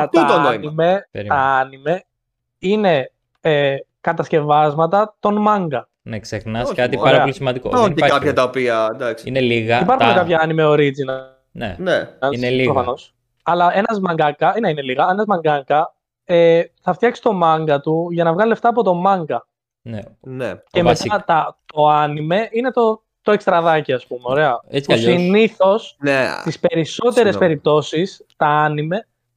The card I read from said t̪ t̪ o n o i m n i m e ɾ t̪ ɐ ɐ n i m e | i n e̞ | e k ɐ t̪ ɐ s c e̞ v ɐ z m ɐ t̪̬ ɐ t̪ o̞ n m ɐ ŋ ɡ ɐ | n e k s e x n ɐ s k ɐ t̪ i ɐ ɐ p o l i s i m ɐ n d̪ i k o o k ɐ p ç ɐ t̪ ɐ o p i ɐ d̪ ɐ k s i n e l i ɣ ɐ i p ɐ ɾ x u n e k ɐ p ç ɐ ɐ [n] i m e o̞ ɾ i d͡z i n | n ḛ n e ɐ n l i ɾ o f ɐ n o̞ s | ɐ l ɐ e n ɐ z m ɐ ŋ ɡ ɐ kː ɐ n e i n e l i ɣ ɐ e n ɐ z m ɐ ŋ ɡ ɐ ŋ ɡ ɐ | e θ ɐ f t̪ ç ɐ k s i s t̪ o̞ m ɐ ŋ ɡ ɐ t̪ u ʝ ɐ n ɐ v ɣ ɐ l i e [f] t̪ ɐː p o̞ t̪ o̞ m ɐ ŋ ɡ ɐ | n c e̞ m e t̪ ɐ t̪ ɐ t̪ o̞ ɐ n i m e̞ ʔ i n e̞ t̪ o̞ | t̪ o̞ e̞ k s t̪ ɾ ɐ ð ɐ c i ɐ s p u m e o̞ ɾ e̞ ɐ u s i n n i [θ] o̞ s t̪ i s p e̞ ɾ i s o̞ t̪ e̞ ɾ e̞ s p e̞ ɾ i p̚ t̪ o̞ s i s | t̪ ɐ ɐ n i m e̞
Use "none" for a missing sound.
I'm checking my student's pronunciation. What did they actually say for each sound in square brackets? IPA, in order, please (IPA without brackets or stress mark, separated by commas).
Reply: n, f, θ